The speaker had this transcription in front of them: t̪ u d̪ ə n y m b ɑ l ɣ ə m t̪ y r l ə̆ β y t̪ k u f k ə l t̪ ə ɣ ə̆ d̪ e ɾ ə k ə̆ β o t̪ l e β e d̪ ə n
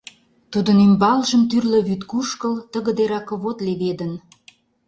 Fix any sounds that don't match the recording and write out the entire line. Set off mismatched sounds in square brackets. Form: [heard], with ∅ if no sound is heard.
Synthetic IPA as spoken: t̪ u d̪ ə n y m b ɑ l [ʒ] ə m t̪ y r l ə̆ β y t̪ k u [ʃ] k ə l t̪ ə ɣ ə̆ d̪ e ɾ [ɑ] k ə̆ β o t̪ l e β e d̪ ə n